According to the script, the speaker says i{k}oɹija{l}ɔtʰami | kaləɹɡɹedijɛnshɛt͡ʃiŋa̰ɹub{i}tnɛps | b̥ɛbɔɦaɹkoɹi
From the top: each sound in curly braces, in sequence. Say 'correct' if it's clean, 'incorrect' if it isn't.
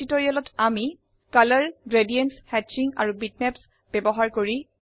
incorrect: t, correct, correct

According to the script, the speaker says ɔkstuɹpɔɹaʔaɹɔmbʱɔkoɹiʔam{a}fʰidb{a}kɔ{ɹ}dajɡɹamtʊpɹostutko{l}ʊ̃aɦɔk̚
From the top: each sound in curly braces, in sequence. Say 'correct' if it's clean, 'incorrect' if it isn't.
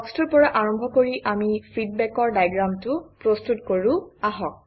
incorrect: i, incorrect: ɛ, correct, incorrect: ɹ

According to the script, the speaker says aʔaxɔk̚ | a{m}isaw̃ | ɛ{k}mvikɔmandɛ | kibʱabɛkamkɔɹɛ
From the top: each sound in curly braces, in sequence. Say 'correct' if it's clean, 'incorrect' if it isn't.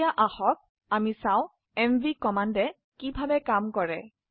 correct, incorrect: none

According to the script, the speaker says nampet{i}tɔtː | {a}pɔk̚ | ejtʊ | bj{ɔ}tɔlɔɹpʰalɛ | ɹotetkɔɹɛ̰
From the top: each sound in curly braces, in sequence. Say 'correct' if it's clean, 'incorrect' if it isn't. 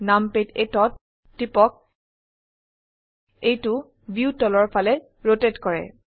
incorrect: e, incorrect: i, incorrect: u

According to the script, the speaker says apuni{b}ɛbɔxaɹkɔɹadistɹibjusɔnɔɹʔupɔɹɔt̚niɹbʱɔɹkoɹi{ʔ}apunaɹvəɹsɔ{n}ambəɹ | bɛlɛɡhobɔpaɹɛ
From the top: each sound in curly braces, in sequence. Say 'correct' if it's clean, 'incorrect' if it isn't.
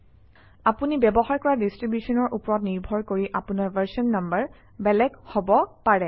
correct, correct, incorrect: nː

